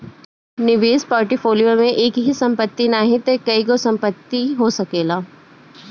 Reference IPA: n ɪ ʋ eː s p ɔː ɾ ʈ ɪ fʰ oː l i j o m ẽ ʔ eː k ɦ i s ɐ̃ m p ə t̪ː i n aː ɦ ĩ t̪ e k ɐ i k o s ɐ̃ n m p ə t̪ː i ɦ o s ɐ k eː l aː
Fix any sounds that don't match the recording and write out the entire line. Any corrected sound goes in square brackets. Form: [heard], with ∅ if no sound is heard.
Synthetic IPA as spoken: n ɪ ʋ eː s p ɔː ɾ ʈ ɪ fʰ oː l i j o m ẽ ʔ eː k ɦ i s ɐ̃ m p ə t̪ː i n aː ɦ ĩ t̪ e k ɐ i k o s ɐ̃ [∅] m p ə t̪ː i ɦ o s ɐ k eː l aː